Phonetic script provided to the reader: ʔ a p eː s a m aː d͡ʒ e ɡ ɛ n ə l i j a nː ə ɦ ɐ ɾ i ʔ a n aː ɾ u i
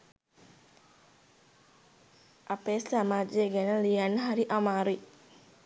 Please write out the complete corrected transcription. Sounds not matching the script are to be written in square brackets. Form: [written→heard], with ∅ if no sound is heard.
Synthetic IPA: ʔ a p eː s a m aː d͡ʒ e ɡ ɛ n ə l i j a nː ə ɦ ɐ ɾ i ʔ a [n→m] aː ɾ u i